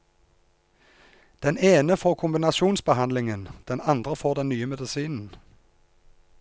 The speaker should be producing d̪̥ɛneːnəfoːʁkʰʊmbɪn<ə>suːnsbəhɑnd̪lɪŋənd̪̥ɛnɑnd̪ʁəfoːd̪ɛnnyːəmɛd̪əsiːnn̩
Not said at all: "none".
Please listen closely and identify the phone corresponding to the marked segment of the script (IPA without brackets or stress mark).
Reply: ɑ